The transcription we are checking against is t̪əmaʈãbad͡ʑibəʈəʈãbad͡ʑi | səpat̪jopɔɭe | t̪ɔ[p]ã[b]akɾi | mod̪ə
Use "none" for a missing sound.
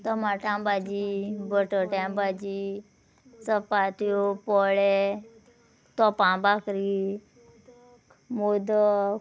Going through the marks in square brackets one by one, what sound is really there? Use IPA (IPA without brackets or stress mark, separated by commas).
p, b